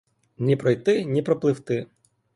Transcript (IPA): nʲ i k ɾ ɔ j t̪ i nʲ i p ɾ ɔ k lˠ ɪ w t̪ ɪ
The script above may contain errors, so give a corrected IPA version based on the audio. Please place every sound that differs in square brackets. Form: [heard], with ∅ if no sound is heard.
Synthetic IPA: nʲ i [p] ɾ ɔ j t̪ [ɪ] nʲ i p ɾ ɔ [p] lˠ ɪ w t̪ ɪ